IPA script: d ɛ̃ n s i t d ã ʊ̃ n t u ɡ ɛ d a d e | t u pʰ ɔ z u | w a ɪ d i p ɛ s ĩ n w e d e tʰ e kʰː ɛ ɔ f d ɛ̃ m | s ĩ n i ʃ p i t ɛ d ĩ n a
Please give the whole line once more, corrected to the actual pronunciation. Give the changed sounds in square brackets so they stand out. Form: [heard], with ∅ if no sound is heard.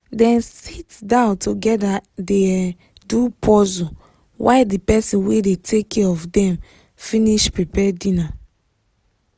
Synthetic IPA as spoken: d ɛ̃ n s i t d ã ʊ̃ n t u ɡ ɛ d a d e | [d] u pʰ ɔ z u | w a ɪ d i p ɛ s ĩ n w e d e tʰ e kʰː ɛ ɔ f d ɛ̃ m | [f] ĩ n i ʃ p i [p] ɛ d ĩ n a